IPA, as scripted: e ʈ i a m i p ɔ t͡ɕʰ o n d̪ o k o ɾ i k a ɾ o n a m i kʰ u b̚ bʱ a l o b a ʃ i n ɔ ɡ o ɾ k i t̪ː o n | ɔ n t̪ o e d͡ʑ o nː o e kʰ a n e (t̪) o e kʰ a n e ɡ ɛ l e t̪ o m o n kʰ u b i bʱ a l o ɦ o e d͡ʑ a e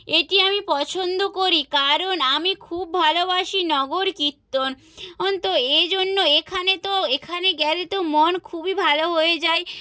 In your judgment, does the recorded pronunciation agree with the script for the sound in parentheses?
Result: yes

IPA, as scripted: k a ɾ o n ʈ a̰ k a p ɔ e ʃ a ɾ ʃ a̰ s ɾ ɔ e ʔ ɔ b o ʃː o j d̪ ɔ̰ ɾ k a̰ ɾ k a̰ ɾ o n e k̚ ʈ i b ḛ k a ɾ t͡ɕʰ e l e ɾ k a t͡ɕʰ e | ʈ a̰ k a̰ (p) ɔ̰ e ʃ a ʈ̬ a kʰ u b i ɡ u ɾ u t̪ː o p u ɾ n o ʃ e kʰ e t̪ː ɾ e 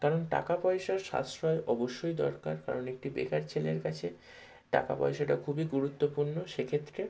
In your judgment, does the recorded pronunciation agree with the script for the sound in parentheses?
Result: yes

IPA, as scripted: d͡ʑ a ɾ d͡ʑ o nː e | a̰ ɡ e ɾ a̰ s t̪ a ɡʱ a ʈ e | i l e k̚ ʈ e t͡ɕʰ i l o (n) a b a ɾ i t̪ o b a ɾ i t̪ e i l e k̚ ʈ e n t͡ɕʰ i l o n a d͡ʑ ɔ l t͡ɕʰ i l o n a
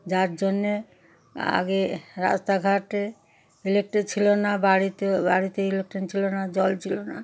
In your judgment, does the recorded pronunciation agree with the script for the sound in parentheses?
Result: yes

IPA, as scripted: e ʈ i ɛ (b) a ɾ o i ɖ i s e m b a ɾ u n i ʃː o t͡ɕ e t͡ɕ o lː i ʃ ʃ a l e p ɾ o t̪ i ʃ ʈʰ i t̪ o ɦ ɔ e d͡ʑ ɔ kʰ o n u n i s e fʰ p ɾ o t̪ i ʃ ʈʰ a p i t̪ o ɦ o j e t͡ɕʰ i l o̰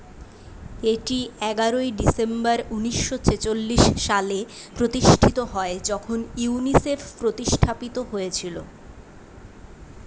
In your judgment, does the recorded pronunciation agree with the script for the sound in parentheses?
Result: no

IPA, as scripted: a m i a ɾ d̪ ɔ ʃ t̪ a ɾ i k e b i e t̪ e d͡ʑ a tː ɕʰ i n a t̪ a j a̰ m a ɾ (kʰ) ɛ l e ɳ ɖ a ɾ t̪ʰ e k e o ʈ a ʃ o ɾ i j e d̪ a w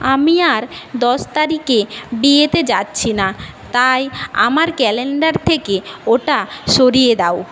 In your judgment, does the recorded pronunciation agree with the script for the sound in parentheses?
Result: no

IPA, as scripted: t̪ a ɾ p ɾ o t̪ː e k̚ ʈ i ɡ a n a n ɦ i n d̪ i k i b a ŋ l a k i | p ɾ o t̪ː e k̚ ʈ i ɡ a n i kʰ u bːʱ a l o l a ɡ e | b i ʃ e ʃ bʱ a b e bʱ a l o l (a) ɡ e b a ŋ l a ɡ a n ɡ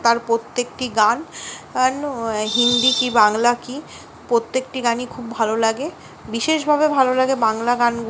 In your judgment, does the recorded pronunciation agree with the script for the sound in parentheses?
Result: yes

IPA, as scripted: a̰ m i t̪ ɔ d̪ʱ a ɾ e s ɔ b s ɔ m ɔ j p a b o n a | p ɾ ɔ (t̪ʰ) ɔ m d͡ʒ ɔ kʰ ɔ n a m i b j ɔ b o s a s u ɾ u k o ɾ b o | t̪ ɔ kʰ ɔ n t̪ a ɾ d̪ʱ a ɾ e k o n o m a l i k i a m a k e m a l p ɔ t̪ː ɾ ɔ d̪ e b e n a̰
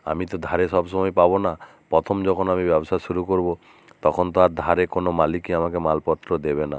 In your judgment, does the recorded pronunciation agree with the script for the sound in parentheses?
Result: yes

